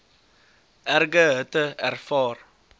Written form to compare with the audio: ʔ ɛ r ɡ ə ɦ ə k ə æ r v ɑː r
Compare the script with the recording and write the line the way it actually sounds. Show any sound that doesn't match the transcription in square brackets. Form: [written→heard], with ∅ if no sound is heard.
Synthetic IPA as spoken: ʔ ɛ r ɡ ə ɦ ə [k→t] ə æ r [v→f] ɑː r